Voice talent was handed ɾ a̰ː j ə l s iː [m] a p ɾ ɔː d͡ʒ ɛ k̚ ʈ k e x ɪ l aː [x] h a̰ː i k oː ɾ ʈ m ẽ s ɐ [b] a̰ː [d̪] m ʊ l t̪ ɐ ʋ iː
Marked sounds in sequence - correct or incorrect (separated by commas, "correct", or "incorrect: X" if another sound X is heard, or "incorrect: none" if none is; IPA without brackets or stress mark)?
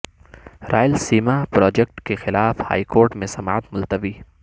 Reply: correct, incorrect: f, incorrect: m, incorrect: t̪